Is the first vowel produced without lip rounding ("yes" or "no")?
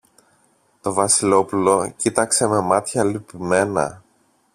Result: no